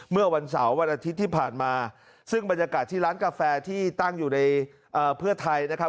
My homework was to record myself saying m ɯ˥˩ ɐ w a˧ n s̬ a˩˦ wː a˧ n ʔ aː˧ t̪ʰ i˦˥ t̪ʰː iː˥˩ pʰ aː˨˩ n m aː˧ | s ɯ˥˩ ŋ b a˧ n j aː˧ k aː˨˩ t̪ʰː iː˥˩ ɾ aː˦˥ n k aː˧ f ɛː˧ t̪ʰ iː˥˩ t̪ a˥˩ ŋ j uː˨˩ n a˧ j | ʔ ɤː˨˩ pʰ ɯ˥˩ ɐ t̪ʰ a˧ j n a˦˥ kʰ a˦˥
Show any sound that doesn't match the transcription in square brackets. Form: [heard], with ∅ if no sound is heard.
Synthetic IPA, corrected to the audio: m ɯ˥˩ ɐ w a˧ n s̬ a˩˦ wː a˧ n ʔ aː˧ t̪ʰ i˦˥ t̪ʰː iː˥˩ pʰ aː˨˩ n m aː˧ | s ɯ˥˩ ŋ b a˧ n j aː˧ k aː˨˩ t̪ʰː iː˥˩ ɾ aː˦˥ n k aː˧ f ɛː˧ t̪ʰ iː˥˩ t̪ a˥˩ ŋ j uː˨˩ n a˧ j | ʔ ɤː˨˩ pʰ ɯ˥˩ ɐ t̪ʰ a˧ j n a˦˥ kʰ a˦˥